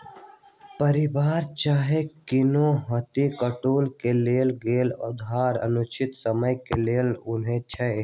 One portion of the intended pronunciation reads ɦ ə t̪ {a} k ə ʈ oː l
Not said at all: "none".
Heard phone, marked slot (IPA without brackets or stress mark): i